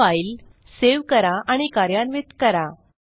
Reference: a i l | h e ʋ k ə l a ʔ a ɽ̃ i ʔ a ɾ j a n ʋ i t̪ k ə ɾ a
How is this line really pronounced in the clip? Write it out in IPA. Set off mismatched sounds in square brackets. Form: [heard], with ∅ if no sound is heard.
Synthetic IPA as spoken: a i l | [s] e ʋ k ə [ɾ] a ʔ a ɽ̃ i [k] a ɾ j a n ʋ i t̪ k ə ɾ a